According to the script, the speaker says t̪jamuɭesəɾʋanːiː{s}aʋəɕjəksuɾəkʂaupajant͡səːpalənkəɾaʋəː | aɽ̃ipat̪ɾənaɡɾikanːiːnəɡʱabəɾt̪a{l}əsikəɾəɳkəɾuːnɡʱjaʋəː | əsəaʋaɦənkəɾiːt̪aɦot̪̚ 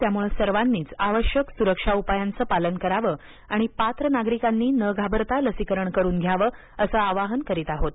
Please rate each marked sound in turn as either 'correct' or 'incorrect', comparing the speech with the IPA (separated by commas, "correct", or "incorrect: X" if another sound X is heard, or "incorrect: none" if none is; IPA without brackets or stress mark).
incorrect: t͡s, correct